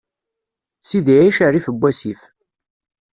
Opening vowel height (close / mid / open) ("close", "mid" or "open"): close